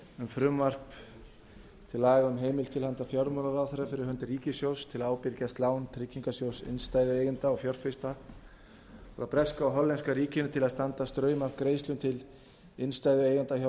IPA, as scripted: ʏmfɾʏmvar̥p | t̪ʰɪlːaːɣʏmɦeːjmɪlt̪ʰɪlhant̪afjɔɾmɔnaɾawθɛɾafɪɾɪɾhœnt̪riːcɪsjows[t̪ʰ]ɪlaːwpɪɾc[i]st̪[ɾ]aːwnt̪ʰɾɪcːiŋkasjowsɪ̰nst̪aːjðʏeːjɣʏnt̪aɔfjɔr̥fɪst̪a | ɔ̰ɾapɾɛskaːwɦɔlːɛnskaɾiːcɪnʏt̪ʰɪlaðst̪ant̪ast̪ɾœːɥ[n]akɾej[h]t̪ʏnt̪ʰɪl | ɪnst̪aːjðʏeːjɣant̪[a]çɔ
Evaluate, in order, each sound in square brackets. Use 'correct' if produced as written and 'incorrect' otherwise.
correct, incorrect, incorrect, incorrect, incorrect, correct

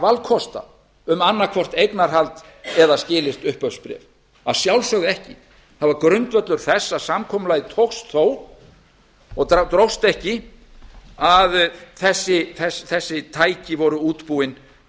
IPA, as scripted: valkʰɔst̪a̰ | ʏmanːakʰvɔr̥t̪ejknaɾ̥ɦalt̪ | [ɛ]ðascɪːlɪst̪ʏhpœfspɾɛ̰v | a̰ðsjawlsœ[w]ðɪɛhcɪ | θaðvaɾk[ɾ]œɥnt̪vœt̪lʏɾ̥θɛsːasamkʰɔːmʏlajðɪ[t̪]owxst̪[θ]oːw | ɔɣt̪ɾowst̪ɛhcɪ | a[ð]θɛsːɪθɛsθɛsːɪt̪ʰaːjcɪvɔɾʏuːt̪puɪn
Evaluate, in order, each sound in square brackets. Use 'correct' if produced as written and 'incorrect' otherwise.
correct, incorrect, correct, incorrect, correct, correct

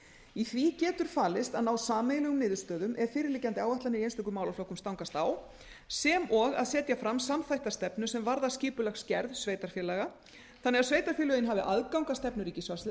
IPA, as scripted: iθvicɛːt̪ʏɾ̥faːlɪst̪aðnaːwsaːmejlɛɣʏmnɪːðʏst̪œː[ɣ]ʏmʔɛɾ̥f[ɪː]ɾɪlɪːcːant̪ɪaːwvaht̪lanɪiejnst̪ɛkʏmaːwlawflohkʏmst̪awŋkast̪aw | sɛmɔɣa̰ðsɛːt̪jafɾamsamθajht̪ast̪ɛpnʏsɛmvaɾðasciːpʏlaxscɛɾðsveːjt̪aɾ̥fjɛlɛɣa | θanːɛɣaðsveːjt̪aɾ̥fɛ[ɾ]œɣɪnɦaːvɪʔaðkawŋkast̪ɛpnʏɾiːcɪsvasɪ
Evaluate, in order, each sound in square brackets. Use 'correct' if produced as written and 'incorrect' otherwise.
incorrect, correct, incorrect

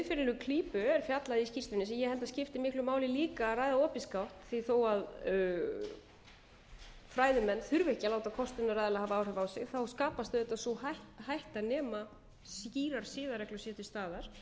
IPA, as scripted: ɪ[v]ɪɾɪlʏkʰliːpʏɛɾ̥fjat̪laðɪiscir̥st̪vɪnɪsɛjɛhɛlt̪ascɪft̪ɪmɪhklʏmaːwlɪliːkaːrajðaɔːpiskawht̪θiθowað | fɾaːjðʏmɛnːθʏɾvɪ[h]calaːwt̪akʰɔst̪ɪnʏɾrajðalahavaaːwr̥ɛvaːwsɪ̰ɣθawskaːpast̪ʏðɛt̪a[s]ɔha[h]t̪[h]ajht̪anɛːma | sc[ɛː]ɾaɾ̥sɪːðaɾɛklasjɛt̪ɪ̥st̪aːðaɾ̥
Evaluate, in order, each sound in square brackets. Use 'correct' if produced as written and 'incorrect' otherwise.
incorrect, correct, correct, correct, correct, incorrect

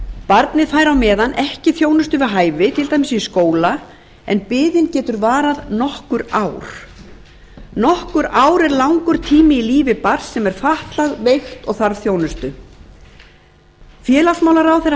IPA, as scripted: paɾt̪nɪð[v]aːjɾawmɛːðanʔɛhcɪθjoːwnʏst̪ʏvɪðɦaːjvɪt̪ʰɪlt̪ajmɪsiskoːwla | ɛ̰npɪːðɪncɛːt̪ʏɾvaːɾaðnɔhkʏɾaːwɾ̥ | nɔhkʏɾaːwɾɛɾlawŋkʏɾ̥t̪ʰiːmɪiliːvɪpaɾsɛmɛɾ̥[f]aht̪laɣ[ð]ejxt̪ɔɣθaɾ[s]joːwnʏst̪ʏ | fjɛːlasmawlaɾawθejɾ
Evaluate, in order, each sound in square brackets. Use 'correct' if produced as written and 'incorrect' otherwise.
incorrect, correct, incorrect, incorrect

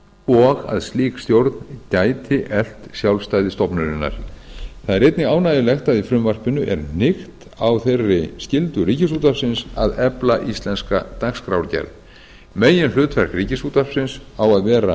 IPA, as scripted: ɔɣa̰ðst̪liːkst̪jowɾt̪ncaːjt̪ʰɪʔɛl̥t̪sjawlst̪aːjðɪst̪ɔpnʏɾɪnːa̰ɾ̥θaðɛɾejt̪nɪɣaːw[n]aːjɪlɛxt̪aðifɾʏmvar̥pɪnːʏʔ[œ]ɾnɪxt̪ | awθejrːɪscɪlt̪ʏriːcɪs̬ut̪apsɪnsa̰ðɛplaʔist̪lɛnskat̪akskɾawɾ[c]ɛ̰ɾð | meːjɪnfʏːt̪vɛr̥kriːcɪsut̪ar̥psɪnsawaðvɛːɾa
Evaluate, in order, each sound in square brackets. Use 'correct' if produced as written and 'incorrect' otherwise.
correct, incorrect, correct

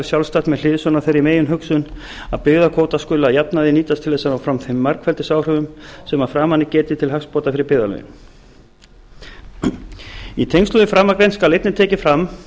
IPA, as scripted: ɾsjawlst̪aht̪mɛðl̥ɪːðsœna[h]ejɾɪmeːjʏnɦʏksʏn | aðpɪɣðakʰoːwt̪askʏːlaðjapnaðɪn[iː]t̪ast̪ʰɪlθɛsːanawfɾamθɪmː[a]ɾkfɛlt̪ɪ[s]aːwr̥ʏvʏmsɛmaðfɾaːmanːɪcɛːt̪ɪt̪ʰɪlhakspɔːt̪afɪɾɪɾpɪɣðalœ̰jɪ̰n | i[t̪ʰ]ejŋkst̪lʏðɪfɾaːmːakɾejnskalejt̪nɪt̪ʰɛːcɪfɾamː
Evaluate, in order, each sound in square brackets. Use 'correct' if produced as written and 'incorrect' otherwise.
incorrect, correct, correct, correct, correct

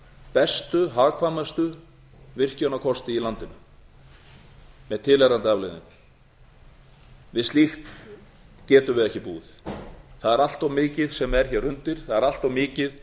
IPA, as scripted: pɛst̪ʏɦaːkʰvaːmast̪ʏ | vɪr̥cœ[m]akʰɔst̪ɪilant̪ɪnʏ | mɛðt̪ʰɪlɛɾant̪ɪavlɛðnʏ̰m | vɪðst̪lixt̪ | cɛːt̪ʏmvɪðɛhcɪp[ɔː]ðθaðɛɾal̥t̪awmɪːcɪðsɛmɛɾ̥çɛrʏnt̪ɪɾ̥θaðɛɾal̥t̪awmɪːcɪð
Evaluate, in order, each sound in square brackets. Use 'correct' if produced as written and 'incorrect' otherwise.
incorrect, incorrect

